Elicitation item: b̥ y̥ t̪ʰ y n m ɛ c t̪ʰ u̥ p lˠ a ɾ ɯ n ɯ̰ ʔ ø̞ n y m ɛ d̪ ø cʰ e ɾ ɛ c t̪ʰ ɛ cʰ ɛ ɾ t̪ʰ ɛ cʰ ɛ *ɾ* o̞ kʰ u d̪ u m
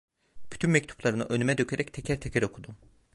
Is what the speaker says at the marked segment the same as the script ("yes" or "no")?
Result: yes